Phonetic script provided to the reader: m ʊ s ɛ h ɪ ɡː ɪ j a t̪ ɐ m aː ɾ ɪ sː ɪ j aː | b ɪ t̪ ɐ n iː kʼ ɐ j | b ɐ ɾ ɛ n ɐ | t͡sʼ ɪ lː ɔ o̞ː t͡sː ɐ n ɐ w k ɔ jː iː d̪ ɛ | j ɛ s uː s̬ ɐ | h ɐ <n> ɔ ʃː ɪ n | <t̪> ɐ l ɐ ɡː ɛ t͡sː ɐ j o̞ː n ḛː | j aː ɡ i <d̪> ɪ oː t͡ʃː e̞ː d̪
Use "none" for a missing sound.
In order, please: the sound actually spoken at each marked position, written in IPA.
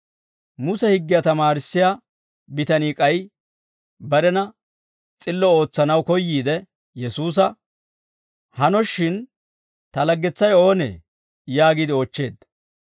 n, t̪, d̪

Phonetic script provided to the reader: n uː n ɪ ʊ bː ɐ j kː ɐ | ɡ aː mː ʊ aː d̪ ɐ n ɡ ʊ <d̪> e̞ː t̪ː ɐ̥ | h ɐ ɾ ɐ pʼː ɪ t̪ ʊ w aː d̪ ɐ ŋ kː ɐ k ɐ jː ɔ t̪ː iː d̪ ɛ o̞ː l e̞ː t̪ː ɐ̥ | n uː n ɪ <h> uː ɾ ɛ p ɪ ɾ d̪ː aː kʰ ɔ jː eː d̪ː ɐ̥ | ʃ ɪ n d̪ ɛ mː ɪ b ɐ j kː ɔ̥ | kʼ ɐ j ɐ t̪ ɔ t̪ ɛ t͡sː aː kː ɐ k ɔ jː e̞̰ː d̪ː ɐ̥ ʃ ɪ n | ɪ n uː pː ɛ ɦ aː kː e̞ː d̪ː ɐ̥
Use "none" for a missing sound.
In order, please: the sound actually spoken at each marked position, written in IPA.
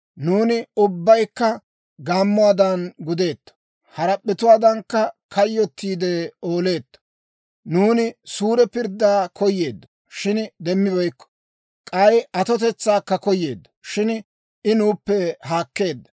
d̪, s

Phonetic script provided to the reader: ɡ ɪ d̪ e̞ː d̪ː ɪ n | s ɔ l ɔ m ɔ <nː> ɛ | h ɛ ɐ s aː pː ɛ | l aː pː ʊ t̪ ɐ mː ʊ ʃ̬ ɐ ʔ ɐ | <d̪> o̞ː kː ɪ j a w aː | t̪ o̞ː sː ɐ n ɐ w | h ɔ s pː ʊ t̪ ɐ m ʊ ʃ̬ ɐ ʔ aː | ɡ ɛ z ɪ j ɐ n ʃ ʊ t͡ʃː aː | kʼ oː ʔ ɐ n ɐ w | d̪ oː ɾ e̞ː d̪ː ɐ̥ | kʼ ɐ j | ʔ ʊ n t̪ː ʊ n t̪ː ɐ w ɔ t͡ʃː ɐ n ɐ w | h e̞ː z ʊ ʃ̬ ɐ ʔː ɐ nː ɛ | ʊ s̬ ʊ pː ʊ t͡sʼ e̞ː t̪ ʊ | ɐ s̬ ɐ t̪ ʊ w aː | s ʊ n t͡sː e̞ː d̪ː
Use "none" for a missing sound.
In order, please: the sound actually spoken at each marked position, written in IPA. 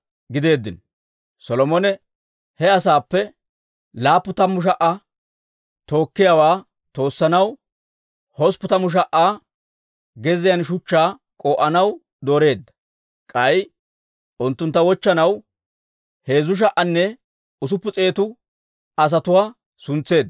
n, t̪

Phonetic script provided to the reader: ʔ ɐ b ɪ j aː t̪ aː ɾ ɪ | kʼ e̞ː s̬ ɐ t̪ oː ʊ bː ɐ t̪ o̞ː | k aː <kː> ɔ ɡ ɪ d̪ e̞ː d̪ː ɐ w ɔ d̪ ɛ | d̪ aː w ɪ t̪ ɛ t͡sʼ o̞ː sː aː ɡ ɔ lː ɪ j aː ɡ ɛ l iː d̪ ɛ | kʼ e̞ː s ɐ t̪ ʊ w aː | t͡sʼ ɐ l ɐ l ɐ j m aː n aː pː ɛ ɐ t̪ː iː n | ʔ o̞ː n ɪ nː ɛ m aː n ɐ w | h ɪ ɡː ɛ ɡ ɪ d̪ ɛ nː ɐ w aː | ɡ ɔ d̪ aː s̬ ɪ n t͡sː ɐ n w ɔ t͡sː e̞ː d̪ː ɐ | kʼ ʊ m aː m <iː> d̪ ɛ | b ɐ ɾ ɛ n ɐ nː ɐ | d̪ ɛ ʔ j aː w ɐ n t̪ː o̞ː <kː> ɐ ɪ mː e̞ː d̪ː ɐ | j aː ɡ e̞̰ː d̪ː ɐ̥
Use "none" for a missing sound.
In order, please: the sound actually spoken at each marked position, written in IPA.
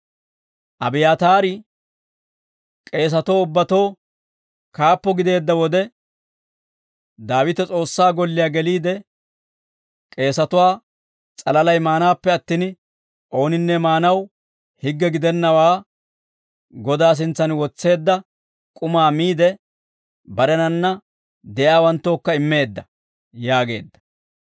pː, iː, kː

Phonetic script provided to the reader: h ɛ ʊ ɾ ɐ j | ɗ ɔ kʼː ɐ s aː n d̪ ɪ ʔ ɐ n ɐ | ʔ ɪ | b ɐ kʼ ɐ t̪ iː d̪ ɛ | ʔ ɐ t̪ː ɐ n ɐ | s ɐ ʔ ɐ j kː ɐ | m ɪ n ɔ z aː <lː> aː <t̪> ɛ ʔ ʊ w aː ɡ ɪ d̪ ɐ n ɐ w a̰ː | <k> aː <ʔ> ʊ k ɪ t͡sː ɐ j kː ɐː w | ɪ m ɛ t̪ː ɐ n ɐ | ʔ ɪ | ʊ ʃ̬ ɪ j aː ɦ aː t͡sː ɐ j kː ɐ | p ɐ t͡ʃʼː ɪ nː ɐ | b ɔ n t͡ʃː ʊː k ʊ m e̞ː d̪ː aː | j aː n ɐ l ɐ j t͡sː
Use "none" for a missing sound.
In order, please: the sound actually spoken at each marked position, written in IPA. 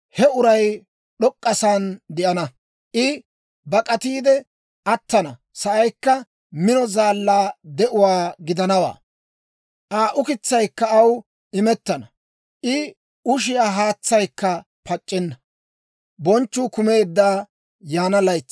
lː, d̪, ʔ, ʔ

